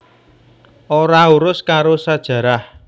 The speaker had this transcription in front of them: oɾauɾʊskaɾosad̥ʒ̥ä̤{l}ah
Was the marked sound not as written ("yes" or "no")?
yes